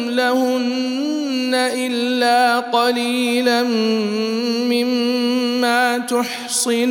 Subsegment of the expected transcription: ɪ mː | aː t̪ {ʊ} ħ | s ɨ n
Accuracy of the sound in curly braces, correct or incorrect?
correct